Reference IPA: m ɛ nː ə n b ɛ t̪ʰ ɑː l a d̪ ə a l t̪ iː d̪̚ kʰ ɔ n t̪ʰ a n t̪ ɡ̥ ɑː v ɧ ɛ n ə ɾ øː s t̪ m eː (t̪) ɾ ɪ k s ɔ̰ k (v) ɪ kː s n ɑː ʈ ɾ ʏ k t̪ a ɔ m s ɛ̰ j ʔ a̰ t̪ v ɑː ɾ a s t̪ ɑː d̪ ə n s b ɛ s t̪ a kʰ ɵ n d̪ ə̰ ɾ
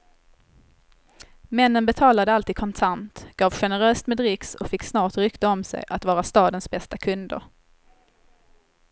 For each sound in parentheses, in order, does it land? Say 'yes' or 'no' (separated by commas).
no, no